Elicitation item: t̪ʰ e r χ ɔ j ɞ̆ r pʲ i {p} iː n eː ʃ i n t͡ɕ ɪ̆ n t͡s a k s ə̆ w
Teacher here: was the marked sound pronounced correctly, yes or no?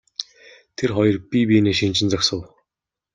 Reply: yes